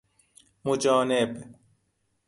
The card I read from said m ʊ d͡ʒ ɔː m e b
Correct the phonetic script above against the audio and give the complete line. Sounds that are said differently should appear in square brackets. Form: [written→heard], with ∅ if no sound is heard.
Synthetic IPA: m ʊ d͡ʒ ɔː [m→n] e b